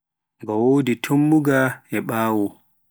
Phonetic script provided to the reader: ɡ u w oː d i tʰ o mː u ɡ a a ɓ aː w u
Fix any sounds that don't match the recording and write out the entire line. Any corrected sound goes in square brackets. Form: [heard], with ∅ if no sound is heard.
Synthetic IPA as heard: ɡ [ɔ] w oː d i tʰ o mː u ɡ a [ɛ] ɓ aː w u